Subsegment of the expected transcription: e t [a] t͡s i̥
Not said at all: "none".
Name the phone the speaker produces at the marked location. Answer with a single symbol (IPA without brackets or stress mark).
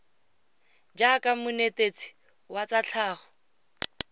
e